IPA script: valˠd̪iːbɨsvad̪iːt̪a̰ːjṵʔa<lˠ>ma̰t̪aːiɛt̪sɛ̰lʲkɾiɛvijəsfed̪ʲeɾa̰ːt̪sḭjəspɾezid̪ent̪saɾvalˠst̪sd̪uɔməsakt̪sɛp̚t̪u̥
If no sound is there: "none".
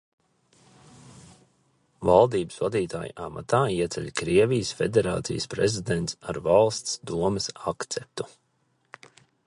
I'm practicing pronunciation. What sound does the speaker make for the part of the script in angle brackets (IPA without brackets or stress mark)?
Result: none